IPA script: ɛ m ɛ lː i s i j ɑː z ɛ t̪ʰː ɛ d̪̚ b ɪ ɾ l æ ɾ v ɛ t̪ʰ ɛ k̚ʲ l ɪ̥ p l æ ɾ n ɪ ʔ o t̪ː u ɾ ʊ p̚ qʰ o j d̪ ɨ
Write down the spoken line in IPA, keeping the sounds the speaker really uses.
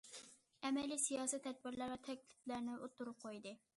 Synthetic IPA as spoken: ɛ m ɛ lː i s i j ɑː s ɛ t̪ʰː ɛ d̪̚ b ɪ ɾ l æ ɾ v ɛ t̪ʰ ɛ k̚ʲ l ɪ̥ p l æ ɾ n ɪ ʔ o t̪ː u ɾ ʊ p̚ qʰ o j d̪ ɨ

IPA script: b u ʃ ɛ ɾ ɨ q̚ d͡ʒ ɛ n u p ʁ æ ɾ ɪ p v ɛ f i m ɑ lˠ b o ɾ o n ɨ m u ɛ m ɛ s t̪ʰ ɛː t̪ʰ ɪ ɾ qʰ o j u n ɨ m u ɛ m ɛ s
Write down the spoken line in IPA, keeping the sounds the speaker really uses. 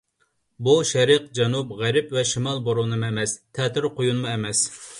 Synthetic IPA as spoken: b u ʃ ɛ ɾ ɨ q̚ d͡ʒ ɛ n u p ʁ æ ɾ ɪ p v ɛ ʃ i m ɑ lˠ b o ɾ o n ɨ m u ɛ m ɛ s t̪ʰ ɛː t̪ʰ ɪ ɾ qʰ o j u n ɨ m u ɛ m ɛ s

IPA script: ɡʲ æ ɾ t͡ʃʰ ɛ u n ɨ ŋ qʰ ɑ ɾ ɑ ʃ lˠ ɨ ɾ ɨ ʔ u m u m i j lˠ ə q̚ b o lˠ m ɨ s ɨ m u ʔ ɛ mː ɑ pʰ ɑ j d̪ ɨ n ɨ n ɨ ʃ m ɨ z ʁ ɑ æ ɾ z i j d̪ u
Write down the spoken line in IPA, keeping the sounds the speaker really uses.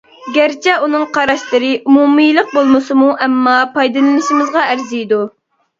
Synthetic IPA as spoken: ɡʲ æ ɾ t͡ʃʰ ɛ u n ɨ ŋ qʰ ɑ ɾ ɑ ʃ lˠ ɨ ɾ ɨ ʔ u m u m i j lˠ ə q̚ b o lˠ m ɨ s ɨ m u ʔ ɛ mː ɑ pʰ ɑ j d̪ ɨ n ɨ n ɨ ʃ m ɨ z ʁ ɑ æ ɾ z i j d̪ u

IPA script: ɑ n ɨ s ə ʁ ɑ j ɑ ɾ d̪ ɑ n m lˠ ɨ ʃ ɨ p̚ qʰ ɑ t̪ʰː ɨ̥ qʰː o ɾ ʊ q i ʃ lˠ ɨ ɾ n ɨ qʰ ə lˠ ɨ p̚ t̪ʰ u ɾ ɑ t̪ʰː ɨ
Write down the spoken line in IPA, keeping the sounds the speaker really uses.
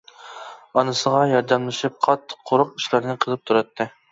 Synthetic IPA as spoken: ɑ n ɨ s ə ʁ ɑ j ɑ ɾ d̪ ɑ m lˠ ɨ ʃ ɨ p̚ qʰ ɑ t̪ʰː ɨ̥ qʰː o ɾ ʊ q i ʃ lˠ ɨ ɾ n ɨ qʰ ə lˠ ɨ p̚ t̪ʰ u ɾ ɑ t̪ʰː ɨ

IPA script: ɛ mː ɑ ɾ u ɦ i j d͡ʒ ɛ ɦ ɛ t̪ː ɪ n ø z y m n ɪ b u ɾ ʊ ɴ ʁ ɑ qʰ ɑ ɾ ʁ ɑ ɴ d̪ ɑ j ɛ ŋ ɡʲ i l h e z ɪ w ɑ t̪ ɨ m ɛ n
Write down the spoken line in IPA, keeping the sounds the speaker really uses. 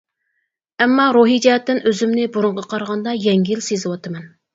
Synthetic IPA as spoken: ɛ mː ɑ ɾ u ɦ i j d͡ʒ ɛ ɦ ɛ t̪ː ɪ n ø z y m n ɪ b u ɾ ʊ ɴ ʁ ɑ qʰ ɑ ɾ ʁ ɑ n d̪ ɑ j ɛ ŋ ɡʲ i l s e z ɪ w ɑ t̪ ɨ m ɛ n

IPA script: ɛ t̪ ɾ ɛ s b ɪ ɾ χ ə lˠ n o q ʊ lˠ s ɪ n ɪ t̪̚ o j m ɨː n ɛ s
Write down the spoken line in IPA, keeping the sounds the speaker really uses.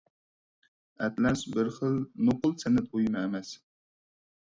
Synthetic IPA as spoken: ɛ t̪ l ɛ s b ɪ ɾ χ ə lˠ n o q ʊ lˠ s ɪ n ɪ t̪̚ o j m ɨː m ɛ s

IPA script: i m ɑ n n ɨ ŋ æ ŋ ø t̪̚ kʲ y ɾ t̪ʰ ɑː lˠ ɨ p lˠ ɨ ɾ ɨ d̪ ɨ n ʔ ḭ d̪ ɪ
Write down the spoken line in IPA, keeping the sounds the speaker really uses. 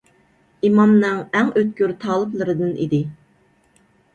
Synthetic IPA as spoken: i m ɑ m n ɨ ŋ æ ŋ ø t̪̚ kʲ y ɾ t̪ʰ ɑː lˠ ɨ p lˠ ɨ ɾ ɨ d̪ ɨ n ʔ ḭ d̪ ɪ

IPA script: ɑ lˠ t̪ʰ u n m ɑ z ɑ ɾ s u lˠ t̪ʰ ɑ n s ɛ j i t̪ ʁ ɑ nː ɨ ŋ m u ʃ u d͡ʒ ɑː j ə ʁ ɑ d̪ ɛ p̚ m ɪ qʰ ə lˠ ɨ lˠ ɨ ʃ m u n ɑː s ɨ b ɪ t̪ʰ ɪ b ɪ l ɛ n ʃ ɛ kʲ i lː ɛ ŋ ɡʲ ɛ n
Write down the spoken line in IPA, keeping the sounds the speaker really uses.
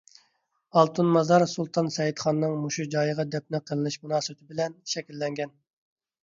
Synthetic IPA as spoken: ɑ lˠ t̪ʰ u n m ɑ z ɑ ɾ s u lˠ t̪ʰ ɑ n s ɛ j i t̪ χ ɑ nː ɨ ŋ m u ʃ u d͡ʒ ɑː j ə ʁ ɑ d̪ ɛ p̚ n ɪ qʰ ə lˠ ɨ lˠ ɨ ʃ m u n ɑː s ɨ b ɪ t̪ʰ ɪ b ɪ l ɛ n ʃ ɛ kʲ i lː ɛ ŋ ɡʲ ɛ n

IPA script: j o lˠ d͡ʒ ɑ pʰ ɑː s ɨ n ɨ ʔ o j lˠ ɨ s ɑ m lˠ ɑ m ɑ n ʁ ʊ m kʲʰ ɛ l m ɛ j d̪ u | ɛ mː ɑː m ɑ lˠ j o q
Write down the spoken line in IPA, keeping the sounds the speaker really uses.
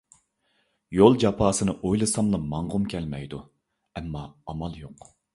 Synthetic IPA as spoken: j o lˠ d͡ʒ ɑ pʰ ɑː s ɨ n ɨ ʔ o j lˠ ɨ s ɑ m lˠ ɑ m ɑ ɴ ʁ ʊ m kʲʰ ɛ l m ɛ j d̪ u | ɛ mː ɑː m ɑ lˠ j o q

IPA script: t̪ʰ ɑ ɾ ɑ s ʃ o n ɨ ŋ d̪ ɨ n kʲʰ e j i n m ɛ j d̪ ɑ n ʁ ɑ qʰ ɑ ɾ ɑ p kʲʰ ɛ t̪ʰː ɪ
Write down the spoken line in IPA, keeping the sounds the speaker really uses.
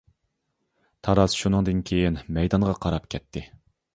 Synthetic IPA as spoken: t̪ʰ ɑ ɾ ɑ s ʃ u n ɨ ŋ d̪ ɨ n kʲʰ e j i n m ɛ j d̪ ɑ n ʁ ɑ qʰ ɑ ɾ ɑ p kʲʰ ɛ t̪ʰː ɪ

